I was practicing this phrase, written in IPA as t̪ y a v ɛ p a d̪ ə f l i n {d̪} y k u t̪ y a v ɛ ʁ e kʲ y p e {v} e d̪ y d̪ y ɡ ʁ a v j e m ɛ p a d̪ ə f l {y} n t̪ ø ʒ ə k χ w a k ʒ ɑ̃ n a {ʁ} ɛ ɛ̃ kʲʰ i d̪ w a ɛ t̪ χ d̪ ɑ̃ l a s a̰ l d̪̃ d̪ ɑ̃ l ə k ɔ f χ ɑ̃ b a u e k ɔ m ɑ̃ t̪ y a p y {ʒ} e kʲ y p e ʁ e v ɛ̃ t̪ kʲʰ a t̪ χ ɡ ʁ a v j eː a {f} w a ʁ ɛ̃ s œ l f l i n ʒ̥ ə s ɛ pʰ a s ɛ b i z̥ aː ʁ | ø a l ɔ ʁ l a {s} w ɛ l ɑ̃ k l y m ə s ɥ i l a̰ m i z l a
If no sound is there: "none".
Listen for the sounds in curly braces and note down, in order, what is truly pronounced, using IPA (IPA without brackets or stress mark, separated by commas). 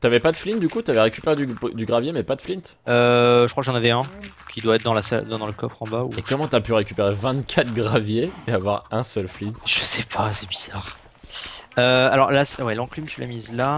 d̪, ʁ, i, v, ʁ, v, s